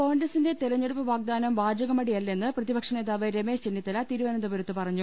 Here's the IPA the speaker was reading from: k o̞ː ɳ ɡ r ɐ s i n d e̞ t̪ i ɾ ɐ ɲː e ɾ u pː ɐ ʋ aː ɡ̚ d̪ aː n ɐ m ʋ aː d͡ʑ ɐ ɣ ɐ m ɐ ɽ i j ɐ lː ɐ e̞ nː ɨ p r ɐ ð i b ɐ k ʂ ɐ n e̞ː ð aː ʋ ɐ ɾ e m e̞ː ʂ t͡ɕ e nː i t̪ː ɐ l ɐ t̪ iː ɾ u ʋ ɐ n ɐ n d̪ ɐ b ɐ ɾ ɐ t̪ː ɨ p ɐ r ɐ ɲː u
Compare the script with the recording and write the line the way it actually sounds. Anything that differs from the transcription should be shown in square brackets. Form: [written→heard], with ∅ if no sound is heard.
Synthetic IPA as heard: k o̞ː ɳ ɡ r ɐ s i n d e̞ t̪ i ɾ ɐ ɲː e [ɾ→ɽ] u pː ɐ ʋ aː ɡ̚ d̪ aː n ɐ m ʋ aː d͡ʑ ɐ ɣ ɐ m ɐ ɽ i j ɐ lː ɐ e̞ nː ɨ p r ɐ ð i b ɐ k ʂ ɐ n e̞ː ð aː ʋ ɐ ɾ e m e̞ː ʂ t͡ɕ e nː i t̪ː ɐ l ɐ t̪ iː ɾ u ʋ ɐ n ɐ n d̪ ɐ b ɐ ɾ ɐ t̪ː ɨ p ɐ r ɐ ɲː u